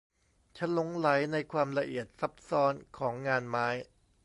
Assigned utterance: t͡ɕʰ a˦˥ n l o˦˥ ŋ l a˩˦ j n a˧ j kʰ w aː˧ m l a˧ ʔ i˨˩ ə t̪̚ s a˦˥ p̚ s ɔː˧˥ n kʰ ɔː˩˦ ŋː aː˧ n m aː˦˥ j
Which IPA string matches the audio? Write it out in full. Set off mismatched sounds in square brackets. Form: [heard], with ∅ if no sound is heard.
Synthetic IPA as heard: t͡ɕʰ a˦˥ n l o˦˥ ŋ l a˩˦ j n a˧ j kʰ w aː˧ m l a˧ ʔ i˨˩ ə t̪̚ s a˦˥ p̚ s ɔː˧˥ n kʰ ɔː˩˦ ŋː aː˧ n m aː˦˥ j